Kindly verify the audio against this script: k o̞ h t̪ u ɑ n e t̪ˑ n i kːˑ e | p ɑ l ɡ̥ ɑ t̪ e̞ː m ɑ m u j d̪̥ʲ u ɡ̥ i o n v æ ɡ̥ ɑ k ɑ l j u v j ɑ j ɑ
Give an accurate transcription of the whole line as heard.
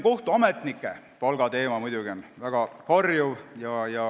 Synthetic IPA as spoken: k o̞ h t̪ u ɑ m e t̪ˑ n i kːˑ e | p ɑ l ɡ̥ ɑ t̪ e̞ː m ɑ m u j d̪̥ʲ u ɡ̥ i o n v æ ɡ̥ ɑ k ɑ r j u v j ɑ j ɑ